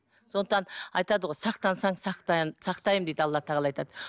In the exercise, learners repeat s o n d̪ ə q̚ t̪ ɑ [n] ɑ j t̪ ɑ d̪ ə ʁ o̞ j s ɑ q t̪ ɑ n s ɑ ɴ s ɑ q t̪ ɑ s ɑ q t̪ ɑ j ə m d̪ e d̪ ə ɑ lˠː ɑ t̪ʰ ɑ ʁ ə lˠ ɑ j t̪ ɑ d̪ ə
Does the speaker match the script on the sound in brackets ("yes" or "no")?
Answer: yes